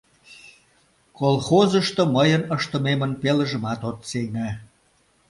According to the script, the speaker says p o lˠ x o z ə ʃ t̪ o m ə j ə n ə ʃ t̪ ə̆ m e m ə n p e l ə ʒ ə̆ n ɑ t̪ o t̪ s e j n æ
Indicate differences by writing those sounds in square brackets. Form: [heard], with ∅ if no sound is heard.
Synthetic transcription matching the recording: [k] o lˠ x o z ə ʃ t̪ o m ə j ə n ə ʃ t̪ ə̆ m e m ə n p e l ə ʒ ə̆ [m] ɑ t̪ o t̪ s e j n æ

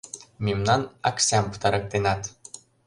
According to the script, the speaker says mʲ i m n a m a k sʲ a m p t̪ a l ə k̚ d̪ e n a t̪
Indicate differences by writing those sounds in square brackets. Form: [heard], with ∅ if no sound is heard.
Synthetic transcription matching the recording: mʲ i m n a [n] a k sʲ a m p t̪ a [ɾ] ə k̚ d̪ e n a t̪

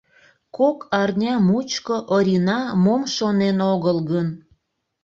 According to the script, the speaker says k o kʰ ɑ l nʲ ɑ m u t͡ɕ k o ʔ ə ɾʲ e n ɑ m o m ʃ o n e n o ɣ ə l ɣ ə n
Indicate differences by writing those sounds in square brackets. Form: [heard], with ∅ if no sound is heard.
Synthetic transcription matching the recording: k o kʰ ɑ [r] nʲ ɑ m u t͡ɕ k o ʔ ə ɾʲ [i] n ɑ m o m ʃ o n e n o ɣ ə l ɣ ə n

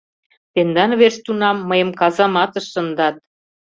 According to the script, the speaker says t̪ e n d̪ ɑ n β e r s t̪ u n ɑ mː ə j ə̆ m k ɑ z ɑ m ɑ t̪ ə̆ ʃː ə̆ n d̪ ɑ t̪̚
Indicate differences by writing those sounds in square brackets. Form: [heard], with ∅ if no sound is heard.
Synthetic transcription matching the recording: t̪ e n d̪ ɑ n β e r s t̪ u n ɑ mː ə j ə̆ m k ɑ z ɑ m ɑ t̪ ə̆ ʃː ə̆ n d̪ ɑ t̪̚

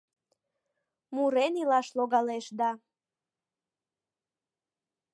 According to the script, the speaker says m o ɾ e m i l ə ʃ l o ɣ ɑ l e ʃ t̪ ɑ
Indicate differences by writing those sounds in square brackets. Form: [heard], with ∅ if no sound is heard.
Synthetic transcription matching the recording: m [u] ɾ e [n] i l [ɑ] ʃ l o ɣ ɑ l e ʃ [d̪] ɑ

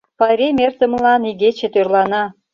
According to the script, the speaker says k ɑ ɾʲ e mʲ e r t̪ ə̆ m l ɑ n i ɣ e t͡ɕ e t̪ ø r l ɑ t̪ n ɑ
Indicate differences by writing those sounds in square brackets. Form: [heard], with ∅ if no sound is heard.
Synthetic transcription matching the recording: [p] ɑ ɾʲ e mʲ e r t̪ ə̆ m l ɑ n i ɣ e t͡ɕ e t̪ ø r l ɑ [∅] n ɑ

